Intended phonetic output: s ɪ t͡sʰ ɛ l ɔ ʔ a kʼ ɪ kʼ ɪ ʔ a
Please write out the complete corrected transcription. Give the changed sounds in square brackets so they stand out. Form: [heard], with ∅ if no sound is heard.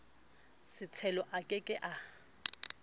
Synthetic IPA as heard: s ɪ t͡sʰ ɛ l ɔ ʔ a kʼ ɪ kʼ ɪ ʔ a